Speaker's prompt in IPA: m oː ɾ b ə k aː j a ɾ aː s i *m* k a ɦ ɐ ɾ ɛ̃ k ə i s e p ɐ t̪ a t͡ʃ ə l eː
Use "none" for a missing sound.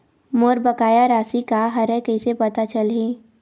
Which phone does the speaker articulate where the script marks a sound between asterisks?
none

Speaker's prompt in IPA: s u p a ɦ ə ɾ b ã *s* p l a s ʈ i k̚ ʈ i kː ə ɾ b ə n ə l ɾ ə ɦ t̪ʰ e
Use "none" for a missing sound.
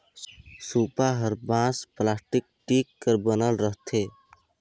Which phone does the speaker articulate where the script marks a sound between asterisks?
s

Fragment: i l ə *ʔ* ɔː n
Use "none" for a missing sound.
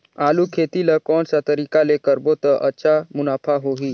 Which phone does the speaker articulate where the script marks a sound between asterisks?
k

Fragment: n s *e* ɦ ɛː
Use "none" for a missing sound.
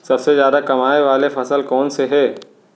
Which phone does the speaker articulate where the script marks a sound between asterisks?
e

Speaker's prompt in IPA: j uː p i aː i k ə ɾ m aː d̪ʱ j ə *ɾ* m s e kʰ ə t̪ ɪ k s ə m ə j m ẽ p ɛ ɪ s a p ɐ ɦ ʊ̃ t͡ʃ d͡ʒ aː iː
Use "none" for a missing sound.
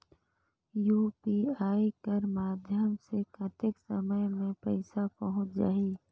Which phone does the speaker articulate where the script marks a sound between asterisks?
none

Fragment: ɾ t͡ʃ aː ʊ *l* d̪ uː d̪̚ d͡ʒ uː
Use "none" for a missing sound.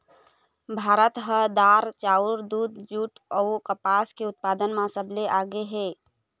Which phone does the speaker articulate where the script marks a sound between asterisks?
ɾ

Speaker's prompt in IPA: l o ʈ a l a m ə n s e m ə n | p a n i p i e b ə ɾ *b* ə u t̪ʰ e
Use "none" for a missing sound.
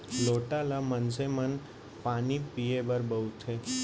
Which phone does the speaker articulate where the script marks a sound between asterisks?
b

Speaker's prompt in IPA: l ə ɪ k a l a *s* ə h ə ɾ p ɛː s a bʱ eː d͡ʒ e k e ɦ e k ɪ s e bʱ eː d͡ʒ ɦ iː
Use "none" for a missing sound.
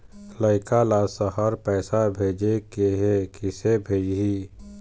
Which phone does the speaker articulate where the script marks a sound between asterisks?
s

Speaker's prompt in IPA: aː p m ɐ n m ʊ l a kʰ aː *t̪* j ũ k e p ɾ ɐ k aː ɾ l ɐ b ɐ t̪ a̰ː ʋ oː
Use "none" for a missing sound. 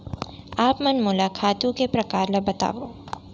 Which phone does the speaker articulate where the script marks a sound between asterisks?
t̪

